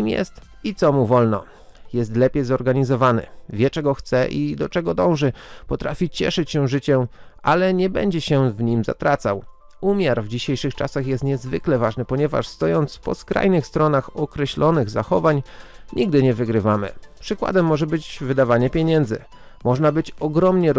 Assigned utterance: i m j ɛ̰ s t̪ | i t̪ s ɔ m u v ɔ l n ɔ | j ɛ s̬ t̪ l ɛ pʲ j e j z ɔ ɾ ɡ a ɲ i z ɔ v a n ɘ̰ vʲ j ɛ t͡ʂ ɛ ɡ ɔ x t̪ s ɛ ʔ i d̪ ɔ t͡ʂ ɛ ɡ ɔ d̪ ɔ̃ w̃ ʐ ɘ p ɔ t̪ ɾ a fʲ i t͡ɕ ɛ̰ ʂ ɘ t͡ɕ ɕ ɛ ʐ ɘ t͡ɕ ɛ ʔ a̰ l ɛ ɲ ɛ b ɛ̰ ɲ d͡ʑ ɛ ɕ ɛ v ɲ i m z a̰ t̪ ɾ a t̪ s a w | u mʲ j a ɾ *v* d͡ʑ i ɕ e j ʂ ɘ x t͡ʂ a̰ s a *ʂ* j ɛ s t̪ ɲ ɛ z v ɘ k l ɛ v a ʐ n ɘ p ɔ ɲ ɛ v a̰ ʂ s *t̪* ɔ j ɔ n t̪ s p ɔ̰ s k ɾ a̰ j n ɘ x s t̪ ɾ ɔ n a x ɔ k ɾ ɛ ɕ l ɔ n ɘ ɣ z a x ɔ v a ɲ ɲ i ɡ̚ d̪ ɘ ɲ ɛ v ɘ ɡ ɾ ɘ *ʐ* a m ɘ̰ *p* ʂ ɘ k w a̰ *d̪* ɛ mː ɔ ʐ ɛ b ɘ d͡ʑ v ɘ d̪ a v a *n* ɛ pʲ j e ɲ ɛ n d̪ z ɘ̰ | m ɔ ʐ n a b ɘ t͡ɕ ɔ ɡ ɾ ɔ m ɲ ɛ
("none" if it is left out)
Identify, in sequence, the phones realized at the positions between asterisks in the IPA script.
v, x, t̪, v, p, d̪, ɲ

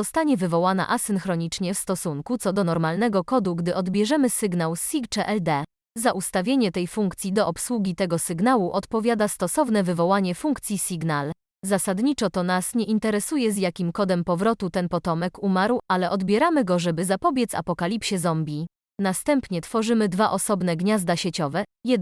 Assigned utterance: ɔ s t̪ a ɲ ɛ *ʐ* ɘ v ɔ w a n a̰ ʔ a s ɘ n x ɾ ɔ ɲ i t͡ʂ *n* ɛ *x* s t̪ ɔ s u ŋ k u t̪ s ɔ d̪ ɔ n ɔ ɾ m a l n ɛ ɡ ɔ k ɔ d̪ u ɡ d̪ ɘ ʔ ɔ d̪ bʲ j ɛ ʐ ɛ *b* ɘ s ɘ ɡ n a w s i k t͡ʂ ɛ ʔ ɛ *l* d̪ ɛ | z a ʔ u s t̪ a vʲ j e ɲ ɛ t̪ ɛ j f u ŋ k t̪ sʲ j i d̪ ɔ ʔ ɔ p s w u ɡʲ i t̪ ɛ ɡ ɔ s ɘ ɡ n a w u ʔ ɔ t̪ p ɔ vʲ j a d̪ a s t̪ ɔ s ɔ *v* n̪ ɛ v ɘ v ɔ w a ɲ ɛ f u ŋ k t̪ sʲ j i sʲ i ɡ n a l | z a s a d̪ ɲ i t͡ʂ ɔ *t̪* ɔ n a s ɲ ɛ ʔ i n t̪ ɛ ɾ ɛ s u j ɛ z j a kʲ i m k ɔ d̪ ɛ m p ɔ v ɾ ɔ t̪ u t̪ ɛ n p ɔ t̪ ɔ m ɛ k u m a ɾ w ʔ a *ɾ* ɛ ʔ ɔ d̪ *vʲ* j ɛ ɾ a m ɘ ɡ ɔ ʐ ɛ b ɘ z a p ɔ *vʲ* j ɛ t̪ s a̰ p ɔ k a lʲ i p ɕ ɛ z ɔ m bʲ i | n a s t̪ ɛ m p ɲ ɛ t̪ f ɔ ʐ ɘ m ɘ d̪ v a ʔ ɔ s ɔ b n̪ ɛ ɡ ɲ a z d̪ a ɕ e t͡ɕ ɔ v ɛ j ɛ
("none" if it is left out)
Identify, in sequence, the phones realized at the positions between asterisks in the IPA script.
v, ɲ, f, m, l, v, t̪, l, bʲ, bʲ

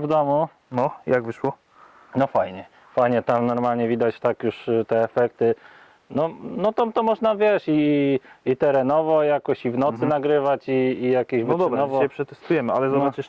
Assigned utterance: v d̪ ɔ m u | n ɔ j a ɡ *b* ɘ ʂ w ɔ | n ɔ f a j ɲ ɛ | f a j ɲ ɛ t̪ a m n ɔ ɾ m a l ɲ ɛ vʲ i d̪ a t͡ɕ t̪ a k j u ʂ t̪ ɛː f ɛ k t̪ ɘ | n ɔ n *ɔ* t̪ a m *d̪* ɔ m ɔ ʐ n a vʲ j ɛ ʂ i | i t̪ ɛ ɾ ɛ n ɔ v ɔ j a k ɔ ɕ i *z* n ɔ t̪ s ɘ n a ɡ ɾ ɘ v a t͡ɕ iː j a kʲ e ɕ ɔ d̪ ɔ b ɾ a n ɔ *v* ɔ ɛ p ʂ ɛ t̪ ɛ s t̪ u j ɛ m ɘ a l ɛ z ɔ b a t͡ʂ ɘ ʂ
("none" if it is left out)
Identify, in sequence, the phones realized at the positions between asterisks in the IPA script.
v, ɔ, t̪, v, v

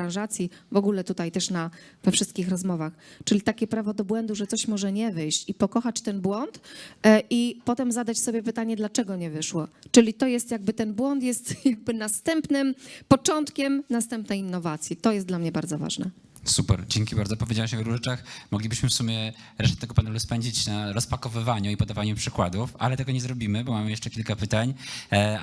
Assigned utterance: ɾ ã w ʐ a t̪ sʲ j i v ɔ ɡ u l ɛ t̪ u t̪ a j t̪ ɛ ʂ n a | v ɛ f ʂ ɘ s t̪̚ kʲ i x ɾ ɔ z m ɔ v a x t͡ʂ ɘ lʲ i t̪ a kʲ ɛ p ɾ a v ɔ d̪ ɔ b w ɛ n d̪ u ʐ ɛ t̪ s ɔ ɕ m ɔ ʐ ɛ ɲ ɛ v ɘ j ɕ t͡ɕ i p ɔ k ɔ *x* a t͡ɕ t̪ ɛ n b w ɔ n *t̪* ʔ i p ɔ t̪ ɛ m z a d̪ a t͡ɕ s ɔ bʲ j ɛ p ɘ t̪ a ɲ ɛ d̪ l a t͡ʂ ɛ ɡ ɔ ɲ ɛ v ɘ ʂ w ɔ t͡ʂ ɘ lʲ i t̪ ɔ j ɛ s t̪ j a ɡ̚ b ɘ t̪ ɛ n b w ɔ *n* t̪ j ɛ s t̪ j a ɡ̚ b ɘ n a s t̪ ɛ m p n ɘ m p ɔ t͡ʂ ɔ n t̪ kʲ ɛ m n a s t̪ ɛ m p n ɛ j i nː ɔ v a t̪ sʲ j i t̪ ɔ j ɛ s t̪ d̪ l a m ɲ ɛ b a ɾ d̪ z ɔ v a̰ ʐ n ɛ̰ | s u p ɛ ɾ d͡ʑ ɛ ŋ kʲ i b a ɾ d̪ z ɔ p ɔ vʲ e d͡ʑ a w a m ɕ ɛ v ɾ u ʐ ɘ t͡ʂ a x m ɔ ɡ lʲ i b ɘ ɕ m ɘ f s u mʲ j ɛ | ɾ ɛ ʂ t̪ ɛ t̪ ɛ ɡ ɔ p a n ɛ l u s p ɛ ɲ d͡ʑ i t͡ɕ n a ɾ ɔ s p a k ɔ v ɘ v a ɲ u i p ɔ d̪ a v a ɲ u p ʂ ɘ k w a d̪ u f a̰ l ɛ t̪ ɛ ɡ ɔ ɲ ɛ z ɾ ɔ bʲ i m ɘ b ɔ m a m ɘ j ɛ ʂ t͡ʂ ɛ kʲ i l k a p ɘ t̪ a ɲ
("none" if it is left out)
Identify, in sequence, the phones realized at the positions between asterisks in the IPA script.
x, t̪, n

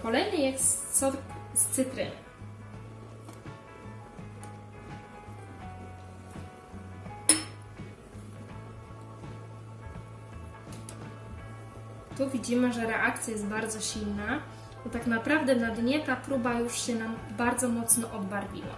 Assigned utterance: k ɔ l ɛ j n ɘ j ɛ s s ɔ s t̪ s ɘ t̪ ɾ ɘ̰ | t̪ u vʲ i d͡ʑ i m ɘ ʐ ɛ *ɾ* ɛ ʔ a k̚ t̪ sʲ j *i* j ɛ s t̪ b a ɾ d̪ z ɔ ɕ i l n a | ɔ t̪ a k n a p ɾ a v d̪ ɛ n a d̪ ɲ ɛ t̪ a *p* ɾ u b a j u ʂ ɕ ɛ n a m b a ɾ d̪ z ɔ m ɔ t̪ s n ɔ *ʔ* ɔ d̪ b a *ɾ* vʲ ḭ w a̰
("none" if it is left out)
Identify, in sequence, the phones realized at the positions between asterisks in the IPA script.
ɾ, a, p, ʔ, ɾ

